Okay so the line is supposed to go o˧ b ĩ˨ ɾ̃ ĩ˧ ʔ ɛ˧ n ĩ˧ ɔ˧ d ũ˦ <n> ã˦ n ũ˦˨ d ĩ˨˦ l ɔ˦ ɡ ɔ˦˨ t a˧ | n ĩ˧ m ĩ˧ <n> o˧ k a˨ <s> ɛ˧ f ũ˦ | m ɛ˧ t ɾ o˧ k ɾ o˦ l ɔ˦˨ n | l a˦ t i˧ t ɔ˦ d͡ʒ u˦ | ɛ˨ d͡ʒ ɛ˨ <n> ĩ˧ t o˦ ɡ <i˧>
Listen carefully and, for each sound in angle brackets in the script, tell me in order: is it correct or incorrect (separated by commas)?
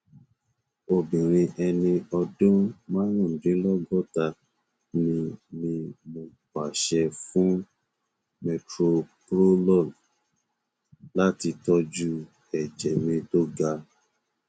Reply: incorrect, incorrect, incorrect, incorrect, incorrect